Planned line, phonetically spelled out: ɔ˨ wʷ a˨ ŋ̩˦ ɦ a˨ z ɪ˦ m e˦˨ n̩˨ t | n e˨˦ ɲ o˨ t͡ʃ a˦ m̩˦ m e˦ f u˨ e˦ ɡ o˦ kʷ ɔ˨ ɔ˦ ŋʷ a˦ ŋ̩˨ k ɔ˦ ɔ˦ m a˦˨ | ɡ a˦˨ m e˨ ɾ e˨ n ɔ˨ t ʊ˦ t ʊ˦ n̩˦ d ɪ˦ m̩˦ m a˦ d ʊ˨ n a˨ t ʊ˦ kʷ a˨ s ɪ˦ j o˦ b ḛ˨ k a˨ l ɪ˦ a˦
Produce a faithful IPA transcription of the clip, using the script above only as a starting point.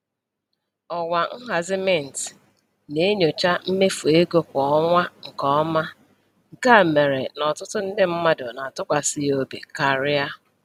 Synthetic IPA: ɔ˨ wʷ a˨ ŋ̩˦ ɦ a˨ z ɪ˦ m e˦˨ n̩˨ t | n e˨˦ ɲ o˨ t͡ʃ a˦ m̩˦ m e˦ f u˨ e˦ ɡ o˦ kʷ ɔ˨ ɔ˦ ŋʷ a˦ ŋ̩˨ k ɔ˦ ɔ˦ m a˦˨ | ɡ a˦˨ m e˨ ɾ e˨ n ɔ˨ t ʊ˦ t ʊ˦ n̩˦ d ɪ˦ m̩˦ m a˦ d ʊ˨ n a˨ t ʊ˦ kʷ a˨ s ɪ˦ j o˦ b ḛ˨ k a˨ ɾ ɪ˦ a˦